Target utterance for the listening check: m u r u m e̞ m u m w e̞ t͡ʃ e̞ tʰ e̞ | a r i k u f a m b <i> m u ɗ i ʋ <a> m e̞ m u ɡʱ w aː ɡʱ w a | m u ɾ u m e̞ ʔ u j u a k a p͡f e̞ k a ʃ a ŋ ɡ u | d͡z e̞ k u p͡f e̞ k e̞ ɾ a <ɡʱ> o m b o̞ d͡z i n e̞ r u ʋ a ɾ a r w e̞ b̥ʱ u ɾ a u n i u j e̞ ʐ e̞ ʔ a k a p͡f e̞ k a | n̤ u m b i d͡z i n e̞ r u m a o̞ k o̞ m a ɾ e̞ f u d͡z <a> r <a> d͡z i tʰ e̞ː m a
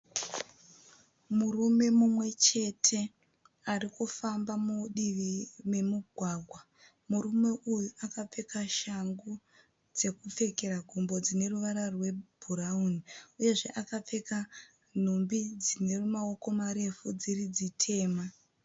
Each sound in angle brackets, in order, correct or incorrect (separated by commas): incorrect, incorrect, correct, incorrect, incorrect